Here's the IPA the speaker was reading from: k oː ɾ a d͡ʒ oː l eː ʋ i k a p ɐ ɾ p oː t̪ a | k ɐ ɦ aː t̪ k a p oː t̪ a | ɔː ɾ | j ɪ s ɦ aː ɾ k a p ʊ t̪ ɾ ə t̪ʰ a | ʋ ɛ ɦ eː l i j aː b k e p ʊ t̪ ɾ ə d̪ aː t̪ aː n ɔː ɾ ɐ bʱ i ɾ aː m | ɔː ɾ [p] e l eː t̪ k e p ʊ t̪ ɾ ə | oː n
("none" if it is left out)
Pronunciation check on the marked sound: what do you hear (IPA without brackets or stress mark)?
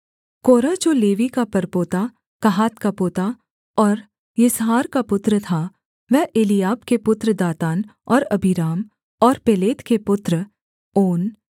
p